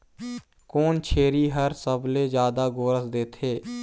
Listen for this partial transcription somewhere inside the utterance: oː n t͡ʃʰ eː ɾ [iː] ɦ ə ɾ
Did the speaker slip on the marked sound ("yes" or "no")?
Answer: no